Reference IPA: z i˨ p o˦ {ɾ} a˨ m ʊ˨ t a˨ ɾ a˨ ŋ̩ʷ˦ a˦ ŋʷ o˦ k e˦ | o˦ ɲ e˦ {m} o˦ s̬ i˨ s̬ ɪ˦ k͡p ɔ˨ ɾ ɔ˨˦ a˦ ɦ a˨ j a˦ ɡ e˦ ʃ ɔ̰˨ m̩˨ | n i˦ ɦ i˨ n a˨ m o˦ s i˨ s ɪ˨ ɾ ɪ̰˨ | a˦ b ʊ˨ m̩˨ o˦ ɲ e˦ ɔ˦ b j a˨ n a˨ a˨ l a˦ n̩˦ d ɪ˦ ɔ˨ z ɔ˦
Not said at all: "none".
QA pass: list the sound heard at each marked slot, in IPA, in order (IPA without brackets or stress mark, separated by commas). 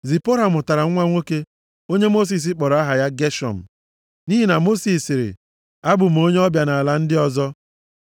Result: ɾ, m